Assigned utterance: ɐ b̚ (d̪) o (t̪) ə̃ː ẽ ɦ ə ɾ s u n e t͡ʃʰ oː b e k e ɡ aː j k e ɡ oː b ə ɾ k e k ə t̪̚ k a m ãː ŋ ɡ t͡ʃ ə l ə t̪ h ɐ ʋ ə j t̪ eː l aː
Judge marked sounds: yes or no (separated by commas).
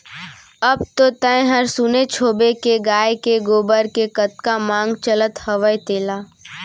no, yes